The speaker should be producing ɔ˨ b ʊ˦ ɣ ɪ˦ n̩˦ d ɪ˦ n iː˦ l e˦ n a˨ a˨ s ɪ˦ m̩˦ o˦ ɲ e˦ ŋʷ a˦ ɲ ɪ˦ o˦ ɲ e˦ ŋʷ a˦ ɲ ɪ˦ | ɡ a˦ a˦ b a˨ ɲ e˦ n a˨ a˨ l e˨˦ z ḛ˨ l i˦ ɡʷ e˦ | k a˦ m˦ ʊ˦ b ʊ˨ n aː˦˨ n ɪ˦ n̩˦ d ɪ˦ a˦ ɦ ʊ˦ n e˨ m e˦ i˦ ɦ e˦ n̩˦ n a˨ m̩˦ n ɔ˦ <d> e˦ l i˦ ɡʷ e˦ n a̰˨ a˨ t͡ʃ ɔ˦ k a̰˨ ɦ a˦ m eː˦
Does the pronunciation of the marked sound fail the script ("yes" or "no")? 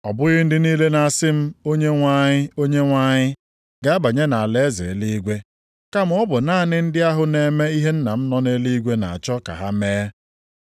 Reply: yes